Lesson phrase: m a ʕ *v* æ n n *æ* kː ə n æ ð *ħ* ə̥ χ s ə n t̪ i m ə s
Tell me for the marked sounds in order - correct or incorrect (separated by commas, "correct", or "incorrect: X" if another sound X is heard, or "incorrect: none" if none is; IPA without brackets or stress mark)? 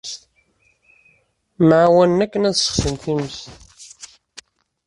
incorrect: w, correct, incorrect: s